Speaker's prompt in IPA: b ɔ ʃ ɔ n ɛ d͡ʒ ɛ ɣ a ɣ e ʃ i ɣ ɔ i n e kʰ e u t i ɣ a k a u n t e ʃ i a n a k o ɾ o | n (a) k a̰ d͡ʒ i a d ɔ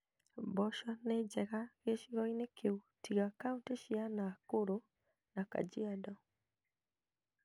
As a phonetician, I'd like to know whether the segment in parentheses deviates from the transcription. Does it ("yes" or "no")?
no